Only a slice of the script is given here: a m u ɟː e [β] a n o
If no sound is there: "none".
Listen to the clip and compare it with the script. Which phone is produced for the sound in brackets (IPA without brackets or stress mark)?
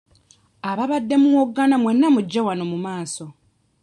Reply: w